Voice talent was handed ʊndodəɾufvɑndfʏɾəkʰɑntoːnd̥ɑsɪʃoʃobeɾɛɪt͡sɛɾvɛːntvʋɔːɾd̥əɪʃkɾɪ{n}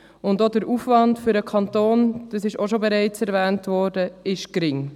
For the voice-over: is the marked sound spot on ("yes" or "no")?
no